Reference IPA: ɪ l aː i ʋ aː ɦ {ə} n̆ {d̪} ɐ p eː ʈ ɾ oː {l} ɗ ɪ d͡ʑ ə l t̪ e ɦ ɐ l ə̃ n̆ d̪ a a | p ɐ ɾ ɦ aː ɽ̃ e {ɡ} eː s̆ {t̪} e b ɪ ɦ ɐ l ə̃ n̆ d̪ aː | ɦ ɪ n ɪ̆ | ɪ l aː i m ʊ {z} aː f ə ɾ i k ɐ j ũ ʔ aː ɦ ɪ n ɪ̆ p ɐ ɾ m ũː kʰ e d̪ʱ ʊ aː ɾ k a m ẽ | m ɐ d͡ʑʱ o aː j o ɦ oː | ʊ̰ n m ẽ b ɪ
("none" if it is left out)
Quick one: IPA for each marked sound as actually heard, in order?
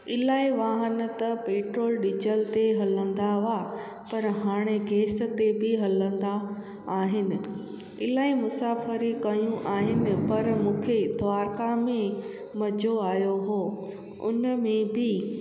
ə, t̪, l, ɡ, t̪, s

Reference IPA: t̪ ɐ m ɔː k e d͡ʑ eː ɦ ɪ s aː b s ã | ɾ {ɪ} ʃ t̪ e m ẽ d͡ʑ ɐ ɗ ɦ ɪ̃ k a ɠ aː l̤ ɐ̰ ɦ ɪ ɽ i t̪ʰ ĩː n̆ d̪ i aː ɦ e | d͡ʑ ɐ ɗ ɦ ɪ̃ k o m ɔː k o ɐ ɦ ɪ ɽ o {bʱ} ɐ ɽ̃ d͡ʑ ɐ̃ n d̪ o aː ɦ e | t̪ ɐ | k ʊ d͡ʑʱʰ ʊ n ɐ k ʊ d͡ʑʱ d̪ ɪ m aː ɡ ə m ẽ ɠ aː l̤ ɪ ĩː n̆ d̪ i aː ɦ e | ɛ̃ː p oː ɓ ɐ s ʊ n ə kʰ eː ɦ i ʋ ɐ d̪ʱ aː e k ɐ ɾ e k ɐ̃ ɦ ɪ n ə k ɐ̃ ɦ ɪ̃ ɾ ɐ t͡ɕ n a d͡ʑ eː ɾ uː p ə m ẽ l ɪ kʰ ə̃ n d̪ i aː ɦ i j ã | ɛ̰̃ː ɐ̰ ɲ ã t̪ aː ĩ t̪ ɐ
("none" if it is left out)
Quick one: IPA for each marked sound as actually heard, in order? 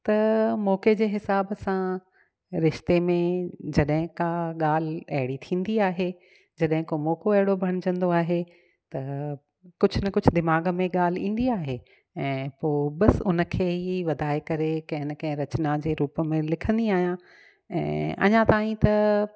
ɪ, bʱ

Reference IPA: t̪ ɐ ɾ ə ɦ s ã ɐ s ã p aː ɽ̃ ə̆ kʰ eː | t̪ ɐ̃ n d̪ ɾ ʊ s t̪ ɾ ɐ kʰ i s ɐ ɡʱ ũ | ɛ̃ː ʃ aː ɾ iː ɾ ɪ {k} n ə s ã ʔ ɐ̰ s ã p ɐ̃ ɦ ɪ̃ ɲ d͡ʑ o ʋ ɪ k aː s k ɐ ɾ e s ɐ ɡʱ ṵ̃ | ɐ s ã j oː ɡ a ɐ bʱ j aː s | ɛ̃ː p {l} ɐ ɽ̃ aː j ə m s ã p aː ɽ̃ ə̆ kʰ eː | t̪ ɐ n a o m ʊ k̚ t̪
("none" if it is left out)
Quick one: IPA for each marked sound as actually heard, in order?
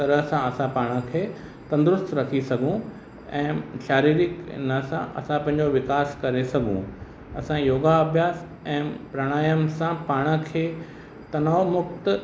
k, ɾ

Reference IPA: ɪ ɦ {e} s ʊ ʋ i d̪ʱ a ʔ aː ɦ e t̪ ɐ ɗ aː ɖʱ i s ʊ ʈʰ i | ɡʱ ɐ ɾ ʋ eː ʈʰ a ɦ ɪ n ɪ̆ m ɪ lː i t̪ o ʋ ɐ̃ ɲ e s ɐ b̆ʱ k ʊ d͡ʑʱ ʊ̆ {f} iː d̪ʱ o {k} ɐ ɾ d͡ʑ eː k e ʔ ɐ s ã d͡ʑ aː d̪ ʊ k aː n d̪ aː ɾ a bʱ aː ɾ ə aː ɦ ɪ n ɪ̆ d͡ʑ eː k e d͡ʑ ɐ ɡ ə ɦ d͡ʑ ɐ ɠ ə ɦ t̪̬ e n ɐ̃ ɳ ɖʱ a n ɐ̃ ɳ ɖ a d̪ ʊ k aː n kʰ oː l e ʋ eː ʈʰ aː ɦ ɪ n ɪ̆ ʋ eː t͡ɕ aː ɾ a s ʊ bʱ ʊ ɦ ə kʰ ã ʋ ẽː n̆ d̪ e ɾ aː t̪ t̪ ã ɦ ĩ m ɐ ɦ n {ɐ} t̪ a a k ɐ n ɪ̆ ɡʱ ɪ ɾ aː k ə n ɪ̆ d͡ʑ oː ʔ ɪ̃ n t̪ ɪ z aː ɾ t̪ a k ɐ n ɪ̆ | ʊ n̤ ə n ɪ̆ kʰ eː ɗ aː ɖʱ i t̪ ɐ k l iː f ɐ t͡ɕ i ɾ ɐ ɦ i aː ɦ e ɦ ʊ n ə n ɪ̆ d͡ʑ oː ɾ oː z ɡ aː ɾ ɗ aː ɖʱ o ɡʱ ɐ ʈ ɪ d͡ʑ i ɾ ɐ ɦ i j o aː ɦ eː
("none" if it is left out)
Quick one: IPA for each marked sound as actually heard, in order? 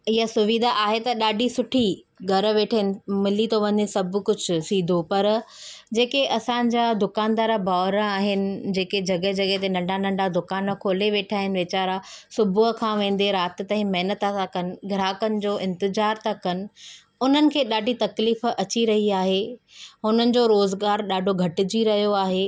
a, s, p, ə

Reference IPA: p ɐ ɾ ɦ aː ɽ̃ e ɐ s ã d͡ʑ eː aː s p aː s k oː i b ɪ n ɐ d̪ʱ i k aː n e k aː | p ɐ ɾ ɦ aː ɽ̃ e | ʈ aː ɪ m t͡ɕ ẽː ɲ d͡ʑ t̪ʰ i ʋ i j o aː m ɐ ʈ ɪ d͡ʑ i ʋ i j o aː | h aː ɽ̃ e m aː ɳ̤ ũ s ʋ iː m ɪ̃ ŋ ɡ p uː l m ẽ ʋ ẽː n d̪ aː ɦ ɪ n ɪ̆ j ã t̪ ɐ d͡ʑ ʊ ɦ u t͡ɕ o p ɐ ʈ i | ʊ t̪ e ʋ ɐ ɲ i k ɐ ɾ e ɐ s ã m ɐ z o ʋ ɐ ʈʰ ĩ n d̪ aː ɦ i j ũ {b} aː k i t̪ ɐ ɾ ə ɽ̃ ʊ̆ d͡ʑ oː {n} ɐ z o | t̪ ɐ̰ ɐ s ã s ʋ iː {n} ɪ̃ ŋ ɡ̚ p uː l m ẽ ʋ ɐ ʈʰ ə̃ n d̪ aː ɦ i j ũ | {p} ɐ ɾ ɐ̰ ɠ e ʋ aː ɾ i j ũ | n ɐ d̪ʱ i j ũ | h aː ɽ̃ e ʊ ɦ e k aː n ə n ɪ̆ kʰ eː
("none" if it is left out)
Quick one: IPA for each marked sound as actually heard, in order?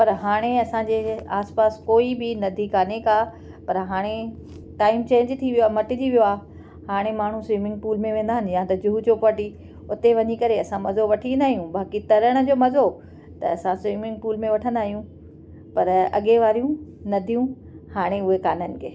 b, m, m, p

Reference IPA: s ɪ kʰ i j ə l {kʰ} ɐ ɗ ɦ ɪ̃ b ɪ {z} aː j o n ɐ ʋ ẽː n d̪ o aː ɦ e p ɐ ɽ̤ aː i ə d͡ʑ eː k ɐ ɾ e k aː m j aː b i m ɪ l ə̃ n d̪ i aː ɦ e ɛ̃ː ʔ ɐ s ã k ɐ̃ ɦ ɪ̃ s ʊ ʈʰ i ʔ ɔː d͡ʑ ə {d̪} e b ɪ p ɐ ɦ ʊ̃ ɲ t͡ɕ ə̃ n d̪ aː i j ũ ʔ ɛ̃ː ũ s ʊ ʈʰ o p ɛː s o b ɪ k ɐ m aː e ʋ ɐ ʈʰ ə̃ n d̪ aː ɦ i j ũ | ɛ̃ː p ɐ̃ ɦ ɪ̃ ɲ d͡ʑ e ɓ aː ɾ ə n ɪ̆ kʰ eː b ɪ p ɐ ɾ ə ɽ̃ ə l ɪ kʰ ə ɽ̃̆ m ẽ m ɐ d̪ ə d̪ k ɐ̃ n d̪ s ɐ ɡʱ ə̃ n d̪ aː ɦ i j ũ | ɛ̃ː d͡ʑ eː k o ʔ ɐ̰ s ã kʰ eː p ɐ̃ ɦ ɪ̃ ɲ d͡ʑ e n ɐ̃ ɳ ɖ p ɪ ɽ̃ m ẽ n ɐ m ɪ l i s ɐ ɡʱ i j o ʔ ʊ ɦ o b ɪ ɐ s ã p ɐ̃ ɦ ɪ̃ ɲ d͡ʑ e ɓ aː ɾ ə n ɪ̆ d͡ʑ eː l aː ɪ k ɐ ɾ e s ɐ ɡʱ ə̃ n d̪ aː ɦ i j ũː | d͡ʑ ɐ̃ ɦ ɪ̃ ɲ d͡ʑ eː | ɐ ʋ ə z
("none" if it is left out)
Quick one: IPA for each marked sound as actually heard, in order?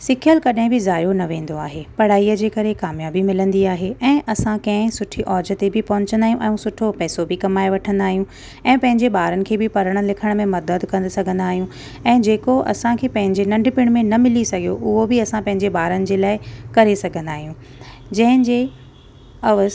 k, z, t̪

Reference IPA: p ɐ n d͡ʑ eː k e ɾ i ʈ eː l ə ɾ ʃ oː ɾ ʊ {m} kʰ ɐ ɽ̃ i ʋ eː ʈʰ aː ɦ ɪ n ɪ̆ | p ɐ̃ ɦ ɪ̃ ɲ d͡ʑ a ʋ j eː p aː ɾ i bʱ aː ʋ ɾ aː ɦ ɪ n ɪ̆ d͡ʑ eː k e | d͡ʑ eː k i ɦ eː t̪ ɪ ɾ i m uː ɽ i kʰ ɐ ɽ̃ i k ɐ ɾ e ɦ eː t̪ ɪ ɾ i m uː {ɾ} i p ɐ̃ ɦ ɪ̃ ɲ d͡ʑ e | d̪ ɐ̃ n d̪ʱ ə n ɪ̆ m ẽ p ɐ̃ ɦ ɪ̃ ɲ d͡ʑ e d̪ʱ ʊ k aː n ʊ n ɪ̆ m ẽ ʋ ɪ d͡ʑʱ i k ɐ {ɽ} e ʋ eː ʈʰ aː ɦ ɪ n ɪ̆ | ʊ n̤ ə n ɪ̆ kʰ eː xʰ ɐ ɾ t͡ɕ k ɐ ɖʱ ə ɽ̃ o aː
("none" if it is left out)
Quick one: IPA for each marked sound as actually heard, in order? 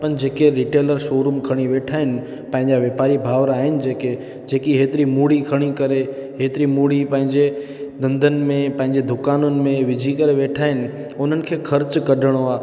m, ɽ, ɾ

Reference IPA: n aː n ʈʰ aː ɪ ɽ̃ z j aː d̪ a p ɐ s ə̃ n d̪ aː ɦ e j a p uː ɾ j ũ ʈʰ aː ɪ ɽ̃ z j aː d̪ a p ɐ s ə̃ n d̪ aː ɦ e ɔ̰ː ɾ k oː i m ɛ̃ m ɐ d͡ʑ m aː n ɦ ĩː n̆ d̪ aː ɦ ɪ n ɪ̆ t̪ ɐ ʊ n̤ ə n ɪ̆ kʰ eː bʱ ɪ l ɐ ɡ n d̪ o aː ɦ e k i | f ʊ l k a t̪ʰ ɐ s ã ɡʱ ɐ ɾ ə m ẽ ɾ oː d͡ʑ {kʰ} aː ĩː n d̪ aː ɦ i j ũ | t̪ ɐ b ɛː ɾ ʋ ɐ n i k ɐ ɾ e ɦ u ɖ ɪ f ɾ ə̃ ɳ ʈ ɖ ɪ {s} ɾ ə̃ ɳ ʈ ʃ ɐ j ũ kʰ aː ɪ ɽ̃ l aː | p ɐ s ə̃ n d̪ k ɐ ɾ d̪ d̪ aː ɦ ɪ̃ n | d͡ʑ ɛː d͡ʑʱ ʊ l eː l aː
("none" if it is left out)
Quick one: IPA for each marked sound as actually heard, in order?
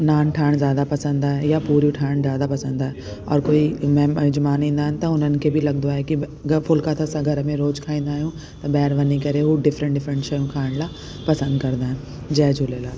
kʰ, f

